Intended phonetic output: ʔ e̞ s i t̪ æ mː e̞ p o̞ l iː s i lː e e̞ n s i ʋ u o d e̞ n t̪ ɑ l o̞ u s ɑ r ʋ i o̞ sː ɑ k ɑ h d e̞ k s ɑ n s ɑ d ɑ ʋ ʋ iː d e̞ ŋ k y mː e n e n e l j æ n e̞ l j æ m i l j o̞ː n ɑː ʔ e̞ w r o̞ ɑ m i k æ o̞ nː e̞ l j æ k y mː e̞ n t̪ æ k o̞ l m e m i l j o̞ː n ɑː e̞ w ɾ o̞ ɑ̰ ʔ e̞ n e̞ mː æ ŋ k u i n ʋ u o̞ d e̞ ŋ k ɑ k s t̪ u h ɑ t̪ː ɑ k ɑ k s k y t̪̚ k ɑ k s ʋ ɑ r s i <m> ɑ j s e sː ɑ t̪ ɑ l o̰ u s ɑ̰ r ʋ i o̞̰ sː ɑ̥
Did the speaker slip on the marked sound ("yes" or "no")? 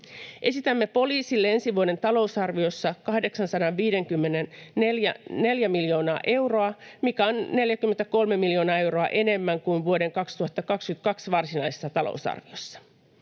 yes